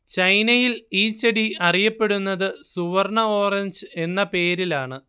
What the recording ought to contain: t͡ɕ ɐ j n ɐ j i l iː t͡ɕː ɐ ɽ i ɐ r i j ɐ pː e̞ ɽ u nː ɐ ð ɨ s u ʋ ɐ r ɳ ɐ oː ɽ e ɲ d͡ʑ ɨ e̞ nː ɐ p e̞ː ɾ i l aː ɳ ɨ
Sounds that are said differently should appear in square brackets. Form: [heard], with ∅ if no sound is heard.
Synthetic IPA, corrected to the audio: t͡ɕ ɐ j n ɐ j i l iː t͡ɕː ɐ ɽ i ɐ r i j ɐ pː e̞ ɽ u nː ɐ ð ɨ s u ʋ ɐ r ɳ ɐ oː [r] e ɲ d͡ʑ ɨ e̞ nː ɐ p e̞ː ɾ i l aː ɳ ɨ